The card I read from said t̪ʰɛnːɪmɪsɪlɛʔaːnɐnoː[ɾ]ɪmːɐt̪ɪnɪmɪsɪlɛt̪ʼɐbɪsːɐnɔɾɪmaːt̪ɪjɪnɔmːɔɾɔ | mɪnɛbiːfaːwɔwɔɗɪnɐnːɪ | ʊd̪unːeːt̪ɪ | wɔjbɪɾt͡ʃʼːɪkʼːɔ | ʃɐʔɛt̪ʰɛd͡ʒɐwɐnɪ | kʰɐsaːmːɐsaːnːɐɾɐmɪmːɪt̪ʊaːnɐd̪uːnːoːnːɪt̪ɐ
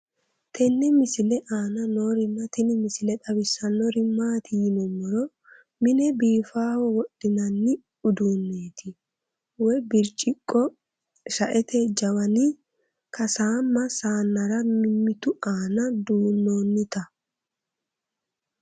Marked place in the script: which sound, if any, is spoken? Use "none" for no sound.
ɾ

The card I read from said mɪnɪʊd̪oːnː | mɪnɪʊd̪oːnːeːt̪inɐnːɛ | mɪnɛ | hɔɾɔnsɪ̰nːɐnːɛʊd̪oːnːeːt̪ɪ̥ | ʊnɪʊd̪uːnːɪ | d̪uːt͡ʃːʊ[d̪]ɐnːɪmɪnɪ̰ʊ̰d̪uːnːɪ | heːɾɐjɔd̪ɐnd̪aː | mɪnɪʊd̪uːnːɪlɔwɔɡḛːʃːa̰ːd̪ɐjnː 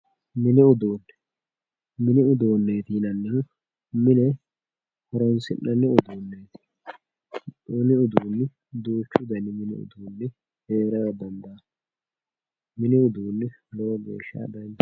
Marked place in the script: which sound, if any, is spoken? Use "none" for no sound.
d̪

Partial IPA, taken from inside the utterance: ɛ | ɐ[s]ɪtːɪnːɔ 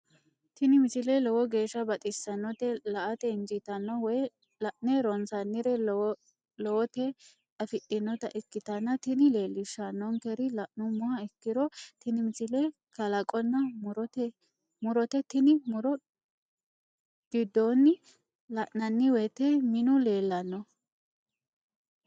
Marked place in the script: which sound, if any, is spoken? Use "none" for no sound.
f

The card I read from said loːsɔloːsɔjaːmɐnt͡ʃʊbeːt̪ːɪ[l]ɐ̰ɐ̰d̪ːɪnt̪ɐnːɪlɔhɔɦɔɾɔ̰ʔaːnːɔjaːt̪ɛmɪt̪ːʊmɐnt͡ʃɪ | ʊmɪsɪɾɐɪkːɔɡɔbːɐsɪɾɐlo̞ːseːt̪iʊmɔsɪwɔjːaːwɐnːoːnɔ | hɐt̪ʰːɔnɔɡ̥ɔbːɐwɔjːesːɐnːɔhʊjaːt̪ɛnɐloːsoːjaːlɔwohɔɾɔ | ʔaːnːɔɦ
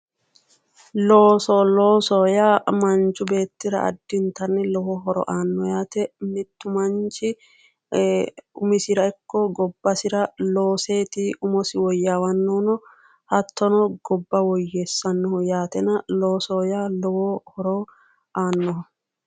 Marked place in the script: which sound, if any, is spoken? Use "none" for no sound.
ɾ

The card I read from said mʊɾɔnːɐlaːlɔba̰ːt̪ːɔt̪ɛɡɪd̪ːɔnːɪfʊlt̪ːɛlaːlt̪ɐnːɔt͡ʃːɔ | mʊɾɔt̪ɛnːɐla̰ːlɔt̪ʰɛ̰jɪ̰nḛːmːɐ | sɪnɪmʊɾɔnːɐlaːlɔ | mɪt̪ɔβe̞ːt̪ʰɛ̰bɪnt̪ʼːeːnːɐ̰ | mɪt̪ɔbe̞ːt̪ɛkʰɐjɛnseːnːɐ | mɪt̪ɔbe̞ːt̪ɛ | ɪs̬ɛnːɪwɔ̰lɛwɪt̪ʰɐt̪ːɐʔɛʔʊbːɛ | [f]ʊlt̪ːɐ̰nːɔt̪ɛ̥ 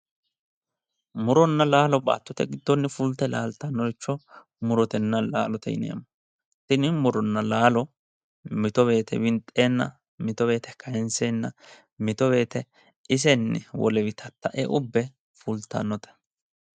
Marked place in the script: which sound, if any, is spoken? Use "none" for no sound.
f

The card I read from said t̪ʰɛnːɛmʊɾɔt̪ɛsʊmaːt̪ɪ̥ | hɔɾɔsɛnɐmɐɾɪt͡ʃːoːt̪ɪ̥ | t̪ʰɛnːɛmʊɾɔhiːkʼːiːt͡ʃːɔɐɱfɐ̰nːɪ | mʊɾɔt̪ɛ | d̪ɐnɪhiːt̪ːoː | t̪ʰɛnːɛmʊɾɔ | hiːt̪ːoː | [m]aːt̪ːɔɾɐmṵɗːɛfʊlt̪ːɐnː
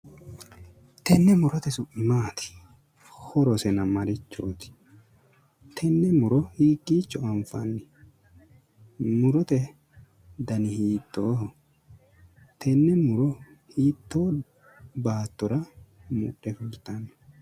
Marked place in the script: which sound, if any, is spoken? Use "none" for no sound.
b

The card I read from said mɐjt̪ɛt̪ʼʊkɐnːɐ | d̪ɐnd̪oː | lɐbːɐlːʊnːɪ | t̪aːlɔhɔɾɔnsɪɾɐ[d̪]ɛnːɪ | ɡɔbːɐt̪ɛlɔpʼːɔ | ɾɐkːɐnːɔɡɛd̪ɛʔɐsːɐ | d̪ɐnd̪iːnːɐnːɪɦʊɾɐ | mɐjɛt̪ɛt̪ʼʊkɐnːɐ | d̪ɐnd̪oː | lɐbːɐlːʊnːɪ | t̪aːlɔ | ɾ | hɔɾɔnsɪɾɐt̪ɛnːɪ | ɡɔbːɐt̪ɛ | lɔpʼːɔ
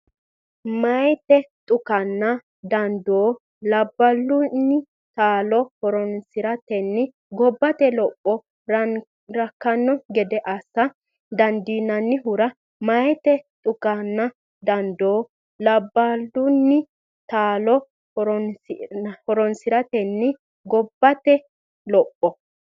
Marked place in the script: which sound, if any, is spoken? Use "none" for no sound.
t̪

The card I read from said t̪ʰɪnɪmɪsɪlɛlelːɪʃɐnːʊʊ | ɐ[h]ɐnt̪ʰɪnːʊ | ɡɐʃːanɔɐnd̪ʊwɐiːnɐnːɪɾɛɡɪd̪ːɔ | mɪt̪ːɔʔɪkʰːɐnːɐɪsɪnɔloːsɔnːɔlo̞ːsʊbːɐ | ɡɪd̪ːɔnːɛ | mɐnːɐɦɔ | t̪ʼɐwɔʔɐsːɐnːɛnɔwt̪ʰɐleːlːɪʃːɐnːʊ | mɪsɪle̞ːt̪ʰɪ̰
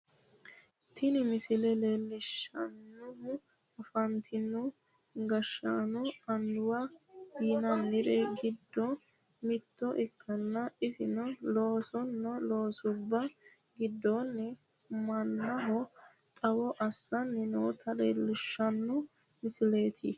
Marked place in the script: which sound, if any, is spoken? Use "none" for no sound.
f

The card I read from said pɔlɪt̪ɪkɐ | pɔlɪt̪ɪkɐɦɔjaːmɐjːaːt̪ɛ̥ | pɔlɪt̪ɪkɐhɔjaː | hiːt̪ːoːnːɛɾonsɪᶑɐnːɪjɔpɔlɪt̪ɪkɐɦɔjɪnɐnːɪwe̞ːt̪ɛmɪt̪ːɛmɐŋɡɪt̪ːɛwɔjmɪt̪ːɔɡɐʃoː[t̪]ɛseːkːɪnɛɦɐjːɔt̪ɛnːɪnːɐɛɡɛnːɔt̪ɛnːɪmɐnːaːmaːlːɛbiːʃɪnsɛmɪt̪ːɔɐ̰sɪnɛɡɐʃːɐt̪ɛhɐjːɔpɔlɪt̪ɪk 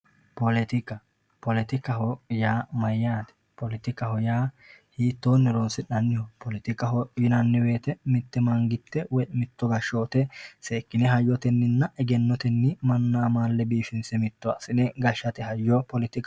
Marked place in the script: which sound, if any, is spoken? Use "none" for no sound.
t̪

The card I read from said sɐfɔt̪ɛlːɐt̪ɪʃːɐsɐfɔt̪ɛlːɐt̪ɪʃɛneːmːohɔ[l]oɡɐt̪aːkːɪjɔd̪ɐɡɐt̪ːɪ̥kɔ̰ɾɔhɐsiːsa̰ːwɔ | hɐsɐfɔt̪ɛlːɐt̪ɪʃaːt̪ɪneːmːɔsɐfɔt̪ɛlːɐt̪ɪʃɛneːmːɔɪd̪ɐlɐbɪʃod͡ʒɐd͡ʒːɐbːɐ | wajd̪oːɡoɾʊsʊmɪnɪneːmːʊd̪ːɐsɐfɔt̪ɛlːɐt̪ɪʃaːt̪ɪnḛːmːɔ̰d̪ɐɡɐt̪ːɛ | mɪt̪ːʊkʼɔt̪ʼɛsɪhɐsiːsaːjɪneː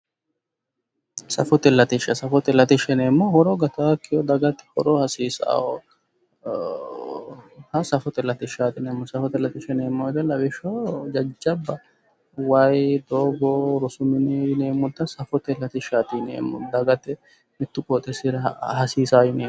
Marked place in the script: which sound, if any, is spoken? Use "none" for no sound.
ɾ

